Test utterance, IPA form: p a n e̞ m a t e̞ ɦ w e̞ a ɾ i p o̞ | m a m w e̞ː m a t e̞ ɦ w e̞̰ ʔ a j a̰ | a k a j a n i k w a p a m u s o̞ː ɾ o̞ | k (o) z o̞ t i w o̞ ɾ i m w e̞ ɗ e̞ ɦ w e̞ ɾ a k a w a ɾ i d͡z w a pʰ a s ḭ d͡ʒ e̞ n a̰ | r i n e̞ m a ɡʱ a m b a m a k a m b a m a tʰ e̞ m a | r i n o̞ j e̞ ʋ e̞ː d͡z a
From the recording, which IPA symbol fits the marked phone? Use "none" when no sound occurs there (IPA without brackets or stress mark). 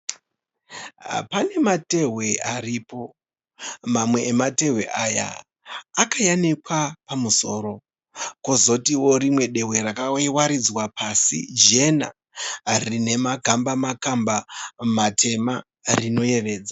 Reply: o